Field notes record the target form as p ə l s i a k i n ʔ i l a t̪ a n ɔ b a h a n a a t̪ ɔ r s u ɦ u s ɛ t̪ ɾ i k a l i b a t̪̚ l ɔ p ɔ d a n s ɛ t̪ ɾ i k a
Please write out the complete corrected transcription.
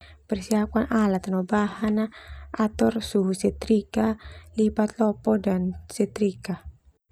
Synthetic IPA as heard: p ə r s i a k a n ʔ a l a t̪ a n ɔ b a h a n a a t̪ ɔ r s u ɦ u s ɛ t̪ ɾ i k a l i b a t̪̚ l ɔ p ɔ d a n s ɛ t̪ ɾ i k a